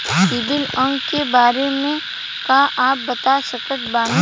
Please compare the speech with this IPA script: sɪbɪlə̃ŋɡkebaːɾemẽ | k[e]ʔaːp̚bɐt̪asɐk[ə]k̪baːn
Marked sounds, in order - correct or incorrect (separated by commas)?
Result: incorrect, correct